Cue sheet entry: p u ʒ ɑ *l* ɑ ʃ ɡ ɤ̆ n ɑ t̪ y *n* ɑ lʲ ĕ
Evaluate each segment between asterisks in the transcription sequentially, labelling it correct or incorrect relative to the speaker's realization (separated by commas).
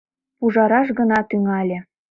incorrect, incorrect